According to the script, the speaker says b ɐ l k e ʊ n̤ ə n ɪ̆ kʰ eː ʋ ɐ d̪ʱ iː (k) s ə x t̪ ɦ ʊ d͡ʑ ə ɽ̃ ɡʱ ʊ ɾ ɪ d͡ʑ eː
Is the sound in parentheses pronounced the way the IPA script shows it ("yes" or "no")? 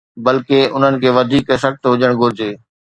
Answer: yes